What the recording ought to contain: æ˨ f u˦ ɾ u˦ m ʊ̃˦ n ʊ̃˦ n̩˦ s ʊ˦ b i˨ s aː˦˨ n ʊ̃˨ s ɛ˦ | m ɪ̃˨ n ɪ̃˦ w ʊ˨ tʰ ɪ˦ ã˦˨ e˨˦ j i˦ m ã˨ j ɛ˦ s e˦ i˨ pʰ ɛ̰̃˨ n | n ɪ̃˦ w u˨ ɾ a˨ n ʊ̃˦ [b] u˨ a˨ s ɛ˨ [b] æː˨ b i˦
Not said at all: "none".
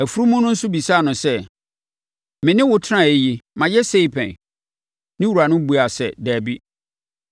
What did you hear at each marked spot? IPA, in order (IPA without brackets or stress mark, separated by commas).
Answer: b, d